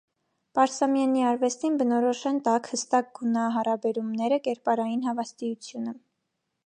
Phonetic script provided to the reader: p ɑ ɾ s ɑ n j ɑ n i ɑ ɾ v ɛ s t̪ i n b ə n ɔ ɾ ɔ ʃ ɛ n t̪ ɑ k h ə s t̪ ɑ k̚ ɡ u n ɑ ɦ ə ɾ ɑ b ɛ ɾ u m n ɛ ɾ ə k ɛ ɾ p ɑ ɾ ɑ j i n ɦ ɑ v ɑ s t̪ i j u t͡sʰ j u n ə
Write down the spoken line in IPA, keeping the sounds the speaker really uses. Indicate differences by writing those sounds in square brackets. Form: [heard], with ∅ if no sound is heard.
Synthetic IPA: p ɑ ɾ s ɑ [m] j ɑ n i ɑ ɾ v ɛ s t̪ i n b ə n ɔ ɾ ɔ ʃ ɛ n t̪ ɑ k h ə s t̪ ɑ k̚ ɡ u n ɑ ɦ [ɑ] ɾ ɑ b ɛ ɾ u m n ɛ ɾ ə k ɛ ɾ p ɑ ɾ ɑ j i n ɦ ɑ v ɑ s t̪ i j u t͡sʰ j u n ə

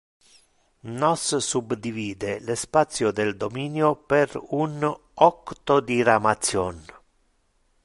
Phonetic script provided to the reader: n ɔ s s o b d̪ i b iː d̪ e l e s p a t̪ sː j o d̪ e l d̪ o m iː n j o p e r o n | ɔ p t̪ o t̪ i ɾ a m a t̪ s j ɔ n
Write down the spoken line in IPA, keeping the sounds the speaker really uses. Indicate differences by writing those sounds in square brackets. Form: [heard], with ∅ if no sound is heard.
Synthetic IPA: n ɔ s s [u] b d̪ i [v] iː d̪ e l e s p a t̪ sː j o d̪ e l d̪ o m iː n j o p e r [u] n | ɔ [k] t̪ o [d̪] i ɾ a m a t̪ s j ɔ n

